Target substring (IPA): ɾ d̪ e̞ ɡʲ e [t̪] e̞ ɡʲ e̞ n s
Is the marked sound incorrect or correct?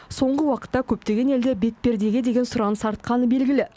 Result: incorrect